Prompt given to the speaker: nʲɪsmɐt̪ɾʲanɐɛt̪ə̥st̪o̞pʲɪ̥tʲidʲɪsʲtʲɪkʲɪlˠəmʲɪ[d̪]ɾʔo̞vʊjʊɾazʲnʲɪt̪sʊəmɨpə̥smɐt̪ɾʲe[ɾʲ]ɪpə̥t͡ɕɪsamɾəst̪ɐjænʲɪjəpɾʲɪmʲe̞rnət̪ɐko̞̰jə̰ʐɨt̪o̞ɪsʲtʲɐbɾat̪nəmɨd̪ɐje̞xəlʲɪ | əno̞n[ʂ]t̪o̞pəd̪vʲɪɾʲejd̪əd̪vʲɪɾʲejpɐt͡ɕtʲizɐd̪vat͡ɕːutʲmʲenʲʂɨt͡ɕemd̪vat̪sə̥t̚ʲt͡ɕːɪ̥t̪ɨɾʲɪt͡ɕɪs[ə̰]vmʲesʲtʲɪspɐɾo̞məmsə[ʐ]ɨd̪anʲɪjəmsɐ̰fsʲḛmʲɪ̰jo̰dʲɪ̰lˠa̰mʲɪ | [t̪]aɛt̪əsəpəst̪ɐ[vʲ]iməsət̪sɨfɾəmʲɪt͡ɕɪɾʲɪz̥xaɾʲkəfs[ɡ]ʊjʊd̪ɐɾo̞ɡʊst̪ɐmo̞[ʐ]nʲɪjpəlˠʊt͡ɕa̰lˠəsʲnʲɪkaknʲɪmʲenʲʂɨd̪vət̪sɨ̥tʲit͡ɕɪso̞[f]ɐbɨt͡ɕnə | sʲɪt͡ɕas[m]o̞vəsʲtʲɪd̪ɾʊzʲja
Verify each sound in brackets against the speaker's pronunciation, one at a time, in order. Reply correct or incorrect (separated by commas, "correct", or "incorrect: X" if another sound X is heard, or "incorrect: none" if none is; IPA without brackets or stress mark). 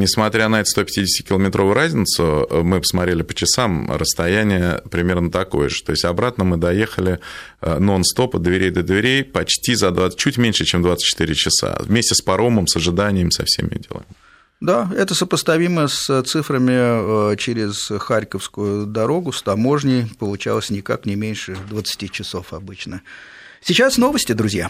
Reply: incorrect: t̪, incorrect: lʲ, incorrect: s, incorrect: a̰, correct, incorrect: d̪, correct, incorrect: k, correct, correct, incorrect: n